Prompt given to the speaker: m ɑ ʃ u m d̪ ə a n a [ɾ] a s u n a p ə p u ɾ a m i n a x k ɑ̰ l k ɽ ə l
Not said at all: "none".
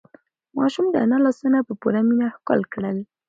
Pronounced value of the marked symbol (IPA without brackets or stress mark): l